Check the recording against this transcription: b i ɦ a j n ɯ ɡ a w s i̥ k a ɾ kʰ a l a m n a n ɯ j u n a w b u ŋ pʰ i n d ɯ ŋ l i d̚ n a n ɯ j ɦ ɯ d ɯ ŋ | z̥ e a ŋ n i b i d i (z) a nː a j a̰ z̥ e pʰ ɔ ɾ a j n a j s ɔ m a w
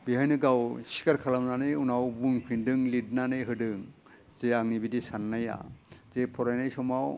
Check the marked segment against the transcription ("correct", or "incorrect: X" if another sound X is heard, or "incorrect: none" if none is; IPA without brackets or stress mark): incorrect: s